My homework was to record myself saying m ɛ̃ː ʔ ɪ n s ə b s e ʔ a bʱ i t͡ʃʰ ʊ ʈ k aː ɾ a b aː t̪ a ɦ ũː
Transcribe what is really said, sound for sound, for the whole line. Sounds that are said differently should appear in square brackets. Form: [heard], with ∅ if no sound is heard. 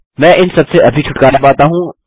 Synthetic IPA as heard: m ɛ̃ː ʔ ɪ n s [ɐ] b s e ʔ [ɐ] bʱ i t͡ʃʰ ʊ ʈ k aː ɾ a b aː t̪ a ɦ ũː